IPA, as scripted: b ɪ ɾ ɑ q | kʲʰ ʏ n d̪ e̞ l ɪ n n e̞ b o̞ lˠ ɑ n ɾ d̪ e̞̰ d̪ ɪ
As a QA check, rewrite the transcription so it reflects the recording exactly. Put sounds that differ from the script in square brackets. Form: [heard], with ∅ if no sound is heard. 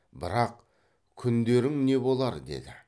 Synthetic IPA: b ɪ ɾ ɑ q | kʲʰ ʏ n d̪ e̞ [ɾ] ɪ [ŋ] n e̞ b o̞ lˠ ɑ [∅] ɾ d̪ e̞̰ d̪ ɪ